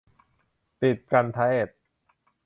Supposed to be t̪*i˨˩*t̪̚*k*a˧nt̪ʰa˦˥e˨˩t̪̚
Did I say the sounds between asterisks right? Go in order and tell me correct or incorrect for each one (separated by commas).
correct, correct